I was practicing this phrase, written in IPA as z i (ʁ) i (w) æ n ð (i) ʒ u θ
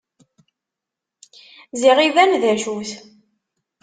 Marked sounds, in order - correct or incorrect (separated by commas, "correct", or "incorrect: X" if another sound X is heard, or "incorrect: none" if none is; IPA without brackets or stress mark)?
correct, incorrect: v, incorrect: æ